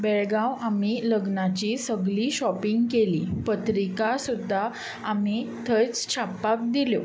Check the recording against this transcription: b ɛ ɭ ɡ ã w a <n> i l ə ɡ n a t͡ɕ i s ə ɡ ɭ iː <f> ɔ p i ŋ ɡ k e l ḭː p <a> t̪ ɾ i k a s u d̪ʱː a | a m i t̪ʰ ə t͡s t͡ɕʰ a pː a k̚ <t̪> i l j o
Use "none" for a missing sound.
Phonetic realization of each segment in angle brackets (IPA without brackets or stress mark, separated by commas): m, ɕ, ə, d̪